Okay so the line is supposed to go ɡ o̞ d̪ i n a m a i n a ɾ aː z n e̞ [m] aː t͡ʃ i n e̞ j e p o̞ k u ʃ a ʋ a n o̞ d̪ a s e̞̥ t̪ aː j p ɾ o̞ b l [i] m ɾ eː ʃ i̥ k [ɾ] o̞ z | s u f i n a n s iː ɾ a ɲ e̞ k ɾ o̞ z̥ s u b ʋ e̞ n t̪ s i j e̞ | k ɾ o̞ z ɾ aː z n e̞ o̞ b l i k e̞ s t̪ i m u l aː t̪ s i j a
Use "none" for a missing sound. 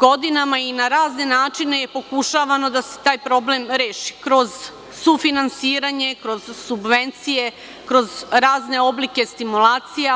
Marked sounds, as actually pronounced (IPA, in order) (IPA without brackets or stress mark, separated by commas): n, e, ɾ